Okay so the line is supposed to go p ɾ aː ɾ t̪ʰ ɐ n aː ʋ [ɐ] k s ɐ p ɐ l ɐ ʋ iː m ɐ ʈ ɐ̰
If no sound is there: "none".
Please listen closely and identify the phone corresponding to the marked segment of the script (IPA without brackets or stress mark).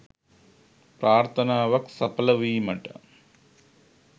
ɐ